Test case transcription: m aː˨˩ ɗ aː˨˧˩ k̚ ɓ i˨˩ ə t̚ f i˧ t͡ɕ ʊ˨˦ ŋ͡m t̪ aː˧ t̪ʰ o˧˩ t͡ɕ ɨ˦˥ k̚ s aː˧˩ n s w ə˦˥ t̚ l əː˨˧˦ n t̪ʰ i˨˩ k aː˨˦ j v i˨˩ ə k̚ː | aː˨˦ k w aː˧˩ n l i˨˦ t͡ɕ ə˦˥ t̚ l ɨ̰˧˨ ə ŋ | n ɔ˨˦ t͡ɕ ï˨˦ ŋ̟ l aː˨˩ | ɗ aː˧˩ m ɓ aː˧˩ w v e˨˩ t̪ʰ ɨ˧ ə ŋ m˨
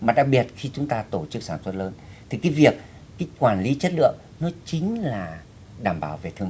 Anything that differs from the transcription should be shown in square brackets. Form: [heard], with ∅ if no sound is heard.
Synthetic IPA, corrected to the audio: m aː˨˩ ɗ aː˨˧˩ k̚ ɓ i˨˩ ə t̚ [x] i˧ t͡ɕ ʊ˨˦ ŋ͡m t̪ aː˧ [t̪] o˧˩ t͡ɕ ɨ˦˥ k̚ s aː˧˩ n s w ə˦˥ t̚ l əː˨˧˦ n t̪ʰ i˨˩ k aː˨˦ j v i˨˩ ə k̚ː | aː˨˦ k w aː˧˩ n l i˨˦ t͡ɕ ə˦˥ t̚ l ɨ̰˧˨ ə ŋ | n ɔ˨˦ t͡ɕ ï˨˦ ŋ̟ l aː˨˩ | ɗ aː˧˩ m ɓ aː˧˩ w v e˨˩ t̪ʰ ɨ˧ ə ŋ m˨